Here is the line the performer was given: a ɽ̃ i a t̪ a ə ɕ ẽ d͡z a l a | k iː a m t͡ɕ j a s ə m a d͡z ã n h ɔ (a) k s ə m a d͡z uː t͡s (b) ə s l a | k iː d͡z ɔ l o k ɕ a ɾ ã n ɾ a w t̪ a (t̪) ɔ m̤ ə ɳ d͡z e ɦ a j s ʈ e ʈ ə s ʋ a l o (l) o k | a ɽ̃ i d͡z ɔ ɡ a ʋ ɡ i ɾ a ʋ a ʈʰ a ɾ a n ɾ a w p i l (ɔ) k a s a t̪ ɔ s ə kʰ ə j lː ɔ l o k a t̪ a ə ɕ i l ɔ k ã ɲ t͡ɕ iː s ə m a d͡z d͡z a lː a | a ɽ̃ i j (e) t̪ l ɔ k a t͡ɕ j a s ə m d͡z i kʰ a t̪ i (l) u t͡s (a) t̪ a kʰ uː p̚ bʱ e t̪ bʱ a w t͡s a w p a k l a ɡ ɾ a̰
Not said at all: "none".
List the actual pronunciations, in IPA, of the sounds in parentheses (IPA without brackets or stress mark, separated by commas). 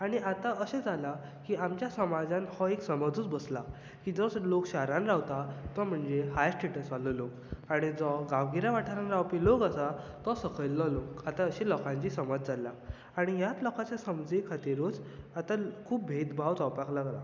e, b, t̪, l, o, a, ɾ, a